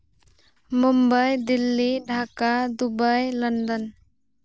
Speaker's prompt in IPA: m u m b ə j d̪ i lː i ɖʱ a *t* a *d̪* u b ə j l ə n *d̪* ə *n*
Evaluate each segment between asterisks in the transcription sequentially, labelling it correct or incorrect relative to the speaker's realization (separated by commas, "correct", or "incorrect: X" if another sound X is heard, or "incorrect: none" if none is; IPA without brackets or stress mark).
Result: incorrect: k, correct, correct, correct